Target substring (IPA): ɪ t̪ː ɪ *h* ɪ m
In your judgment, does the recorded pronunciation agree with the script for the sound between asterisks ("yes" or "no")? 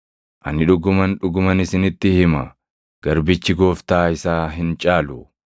yes